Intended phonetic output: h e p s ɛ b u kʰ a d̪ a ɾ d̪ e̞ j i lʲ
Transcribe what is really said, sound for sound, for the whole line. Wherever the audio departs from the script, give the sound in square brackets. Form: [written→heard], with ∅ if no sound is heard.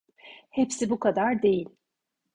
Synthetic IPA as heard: h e p s [ɛ→i] b u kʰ a d̪ a ɾ d̪ e̞ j i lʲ